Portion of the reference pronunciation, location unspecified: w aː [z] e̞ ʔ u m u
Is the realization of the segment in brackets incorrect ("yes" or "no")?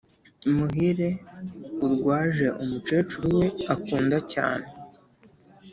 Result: yes